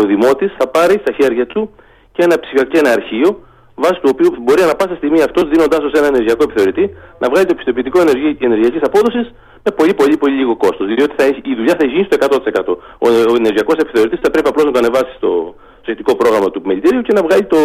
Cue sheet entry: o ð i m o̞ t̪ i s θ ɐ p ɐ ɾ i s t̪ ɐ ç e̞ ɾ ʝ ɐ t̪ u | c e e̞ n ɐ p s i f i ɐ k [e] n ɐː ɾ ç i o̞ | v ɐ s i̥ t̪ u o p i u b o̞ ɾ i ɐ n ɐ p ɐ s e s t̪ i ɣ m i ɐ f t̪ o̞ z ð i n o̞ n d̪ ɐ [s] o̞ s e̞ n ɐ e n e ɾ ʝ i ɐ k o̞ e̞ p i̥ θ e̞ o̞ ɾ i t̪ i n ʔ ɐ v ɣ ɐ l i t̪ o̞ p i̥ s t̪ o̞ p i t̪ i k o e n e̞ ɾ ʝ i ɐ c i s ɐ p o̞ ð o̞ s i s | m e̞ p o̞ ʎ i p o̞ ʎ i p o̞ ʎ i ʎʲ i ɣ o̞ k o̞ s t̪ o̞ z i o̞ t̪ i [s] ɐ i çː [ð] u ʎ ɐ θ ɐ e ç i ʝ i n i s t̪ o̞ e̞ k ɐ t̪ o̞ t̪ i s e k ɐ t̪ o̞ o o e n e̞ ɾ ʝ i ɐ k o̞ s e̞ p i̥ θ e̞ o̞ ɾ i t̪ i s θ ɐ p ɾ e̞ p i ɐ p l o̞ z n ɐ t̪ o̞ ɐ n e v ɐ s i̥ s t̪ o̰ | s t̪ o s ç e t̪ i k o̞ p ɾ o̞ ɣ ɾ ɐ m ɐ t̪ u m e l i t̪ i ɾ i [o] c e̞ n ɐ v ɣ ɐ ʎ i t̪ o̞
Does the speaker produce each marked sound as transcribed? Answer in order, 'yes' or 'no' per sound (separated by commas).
yes, yes, no, yes, no